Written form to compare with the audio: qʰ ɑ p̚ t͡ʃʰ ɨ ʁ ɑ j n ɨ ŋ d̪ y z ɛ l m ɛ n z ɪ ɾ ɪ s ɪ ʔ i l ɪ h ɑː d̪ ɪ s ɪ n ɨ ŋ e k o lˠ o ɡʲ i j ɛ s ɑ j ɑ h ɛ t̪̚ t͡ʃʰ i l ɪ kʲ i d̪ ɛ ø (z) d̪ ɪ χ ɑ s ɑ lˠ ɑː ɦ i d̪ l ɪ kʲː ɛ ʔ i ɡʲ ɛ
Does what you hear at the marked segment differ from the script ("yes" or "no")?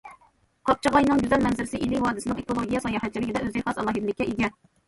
no